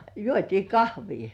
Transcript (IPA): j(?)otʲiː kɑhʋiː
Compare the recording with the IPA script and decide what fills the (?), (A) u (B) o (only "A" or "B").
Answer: A